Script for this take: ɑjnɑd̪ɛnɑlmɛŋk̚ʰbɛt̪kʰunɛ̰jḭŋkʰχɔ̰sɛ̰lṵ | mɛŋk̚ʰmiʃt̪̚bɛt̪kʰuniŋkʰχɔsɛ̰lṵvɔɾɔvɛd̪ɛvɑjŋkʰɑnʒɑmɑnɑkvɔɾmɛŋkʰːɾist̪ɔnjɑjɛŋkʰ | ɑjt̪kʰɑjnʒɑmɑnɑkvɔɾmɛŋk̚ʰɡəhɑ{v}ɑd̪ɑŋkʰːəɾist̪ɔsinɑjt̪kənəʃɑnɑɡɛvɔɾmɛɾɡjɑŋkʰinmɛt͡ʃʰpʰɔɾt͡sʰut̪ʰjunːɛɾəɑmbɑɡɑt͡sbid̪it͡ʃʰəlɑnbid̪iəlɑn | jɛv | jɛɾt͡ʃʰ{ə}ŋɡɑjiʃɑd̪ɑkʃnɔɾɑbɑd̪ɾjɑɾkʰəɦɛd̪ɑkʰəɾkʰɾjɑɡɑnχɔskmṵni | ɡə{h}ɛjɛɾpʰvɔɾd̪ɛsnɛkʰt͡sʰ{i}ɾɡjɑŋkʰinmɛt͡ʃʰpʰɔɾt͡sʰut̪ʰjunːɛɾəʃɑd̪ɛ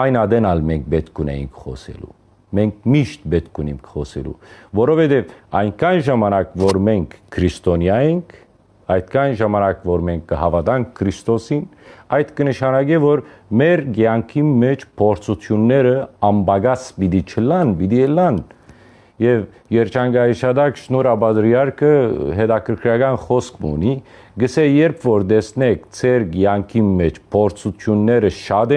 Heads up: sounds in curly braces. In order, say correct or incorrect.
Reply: correct, incorrect: ɑ, incorrect: s, incorrect: ɛ

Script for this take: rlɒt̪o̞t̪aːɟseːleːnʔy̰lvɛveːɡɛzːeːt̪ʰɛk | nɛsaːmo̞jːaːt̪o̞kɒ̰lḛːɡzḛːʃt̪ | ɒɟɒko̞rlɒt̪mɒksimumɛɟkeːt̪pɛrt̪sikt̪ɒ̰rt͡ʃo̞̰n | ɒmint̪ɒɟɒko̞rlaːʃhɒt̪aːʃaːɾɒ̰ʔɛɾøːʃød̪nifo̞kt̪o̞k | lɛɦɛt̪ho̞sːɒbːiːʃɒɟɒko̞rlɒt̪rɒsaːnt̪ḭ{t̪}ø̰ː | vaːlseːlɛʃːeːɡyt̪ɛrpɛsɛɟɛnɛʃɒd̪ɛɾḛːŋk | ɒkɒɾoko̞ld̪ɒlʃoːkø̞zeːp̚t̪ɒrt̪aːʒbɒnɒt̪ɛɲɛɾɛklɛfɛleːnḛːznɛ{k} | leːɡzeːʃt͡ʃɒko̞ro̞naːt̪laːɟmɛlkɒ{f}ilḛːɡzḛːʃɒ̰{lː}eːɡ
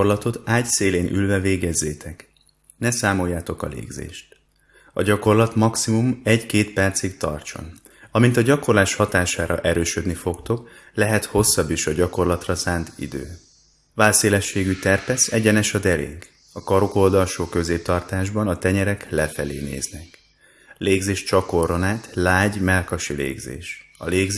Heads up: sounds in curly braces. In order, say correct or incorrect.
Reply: incorrect: d̪, correct, incorrect: ʃ, incorrect: l

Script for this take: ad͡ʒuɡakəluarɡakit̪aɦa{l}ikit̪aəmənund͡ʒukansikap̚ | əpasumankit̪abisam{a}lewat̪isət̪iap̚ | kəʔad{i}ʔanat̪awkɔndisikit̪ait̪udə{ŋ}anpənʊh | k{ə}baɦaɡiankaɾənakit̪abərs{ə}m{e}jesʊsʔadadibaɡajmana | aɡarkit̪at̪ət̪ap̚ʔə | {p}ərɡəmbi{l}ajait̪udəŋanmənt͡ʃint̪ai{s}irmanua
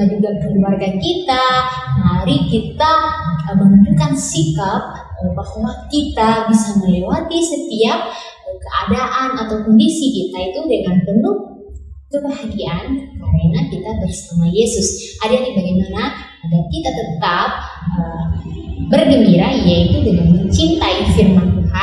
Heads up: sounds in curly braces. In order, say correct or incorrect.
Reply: incorrect: ɾ, incorrect: ə, incorrect: a, correct, correct, incorrect: a, incorrect: a, incorrect: b, incorrect: ɾ, incorrect: f

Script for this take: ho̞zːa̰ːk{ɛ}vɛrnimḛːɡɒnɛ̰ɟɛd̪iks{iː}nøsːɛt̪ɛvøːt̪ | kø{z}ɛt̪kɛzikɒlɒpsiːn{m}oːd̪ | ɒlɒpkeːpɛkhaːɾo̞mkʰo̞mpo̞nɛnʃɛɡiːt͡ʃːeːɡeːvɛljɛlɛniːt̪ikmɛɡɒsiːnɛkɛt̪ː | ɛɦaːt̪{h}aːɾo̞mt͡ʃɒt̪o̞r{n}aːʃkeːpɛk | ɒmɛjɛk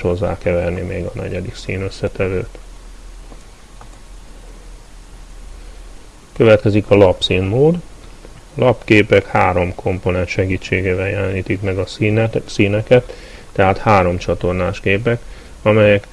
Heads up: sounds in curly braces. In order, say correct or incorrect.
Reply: correct, correct, incorrect: v, correct, correct, correct

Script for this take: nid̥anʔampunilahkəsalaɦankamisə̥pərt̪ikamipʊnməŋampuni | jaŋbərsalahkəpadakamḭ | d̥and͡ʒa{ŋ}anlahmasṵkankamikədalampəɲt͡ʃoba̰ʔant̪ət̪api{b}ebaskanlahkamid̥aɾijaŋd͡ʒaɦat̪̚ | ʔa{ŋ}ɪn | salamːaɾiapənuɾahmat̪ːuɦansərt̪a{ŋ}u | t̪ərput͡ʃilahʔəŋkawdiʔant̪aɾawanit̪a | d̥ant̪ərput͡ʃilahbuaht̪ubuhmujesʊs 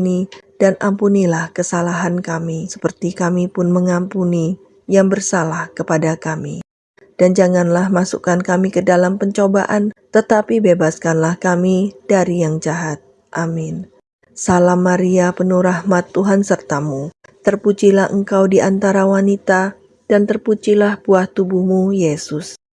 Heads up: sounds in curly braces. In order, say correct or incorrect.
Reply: correct, correct, incorrect: m, incorrect: m

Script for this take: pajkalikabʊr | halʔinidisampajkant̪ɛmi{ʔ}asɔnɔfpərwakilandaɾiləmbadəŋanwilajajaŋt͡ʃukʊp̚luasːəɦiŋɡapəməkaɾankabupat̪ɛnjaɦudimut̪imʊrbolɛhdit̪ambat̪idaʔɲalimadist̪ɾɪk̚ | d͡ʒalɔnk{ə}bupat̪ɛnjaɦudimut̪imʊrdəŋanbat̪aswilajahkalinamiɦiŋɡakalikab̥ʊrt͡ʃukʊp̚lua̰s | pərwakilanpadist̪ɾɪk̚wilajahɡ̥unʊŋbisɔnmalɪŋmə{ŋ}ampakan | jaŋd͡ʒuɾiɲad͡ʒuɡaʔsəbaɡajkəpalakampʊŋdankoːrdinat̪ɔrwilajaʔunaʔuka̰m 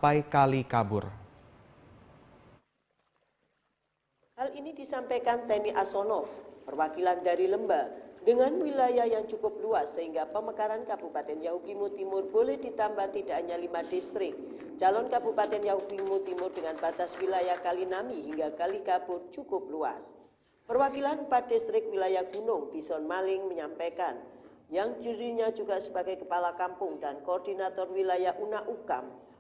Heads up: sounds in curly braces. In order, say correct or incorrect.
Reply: correct, incorrect: a, incorrect: ɲ

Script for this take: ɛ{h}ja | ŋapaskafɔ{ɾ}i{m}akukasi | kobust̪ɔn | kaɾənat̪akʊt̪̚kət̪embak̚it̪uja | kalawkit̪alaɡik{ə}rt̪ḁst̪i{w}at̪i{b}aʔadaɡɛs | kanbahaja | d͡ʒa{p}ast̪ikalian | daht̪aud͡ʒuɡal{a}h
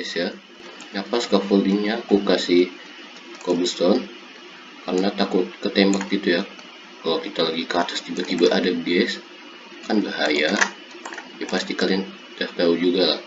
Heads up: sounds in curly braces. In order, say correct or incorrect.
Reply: incorrect: s, incorrect: l, incorrect: ɲ, incorrect: a, incorrect: b, correct, correct, correct

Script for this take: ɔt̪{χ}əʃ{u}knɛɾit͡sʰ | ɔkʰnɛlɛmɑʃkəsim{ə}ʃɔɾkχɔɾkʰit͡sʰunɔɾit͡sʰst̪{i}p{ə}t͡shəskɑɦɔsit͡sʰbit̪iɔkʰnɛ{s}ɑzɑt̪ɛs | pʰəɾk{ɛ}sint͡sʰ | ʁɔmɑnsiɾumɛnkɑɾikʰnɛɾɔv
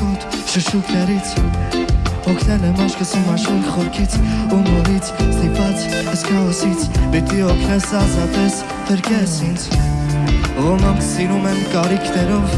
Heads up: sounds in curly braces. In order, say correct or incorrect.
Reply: incorrect: ʃ, correct, incorrect: ɑ, correct, incorrect: ɑ, correct, correct

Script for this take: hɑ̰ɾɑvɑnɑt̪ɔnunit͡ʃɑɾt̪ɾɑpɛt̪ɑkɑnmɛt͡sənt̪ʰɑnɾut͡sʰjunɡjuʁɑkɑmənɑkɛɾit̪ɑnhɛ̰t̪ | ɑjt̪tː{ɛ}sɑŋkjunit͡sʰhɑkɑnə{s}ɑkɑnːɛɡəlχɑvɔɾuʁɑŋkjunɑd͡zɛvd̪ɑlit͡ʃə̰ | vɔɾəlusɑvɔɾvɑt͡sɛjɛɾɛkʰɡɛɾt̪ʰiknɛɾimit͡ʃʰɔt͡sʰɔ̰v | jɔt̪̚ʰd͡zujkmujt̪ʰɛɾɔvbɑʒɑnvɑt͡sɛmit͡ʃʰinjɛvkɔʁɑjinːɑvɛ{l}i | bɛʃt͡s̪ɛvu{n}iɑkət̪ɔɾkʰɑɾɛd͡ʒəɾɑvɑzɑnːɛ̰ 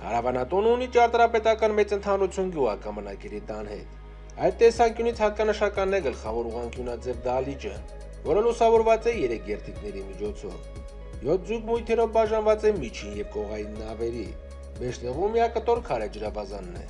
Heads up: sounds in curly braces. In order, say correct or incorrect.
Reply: correct, incorrect: ʃ, incorrect: ɾ, incorrect: m

